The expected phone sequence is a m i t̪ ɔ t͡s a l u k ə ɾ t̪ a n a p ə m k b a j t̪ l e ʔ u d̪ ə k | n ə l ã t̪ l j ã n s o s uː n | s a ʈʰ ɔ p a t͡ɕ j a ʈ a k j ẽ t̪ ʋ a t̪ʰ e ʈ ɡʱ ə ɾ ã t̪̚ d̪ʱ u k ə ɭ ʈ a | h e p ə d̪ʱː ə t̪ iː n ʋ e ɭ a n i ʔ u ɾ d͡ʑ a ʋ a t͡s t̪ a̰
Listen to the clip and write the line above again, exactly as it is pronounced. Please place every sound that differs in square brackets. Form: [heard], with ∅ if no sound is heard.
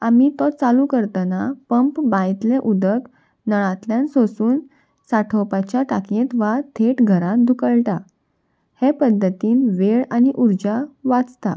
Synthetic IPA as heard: a m i t̪ ɔ t͡s a l u k ə ɾ t̪ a n a p ə m [p] b a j t̪ l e ʔ u d̪ ə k | n ə [ɭ] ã t̪ l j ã n s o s uː n | s a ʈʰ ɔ p a t͡ɕ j a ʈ a k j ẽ t̪ ʋ a t̪ʰ e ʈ ɡʱ ə ɾ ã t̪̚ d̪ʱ u k ə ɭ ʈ a | h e p ə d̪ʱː ə t̪ iː n ʋ e ɭ a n i ʔ u ɾ d͡ʑ a ʋ a t͡s t̪ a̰